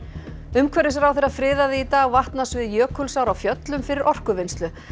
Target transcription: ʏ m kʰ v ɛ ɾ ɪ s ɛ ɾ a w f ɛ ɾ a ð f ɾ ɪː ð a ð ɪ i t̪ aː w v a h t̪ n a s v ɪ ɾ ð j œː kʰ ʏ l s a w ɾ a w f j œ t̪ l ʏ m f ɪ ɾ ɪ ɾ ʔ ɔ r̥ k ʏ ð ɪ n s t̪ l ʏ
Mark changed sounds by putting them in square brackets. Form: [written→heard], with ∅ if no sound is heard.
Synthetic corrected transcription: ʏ m kʰ v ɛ ɾ ɪ s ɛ ɾ a w [f→θ] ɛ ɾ a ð f ɾ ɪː ð a ð ɪ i t̪ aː [w→ɣ] v a h t̪ n a s v ɪ [ɾ→∅] ð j œː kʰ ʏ l s a w ɾ a w f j œ t̪ l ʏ m f ɪ ɾ ɪ ɾ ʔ ɔ r̥ k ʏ [ð→v] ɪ n s t̪ l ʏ